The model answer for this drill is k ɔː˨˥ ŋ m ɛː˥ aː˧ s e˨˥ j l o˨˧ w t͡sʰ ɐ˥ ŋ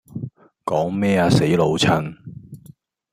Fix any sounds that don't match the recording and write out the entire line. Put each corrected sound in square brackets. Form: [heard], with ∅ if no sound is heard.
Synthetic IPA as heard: k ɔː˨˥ ŋ m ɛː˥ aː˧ s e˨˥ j l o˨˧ w t͡sʰ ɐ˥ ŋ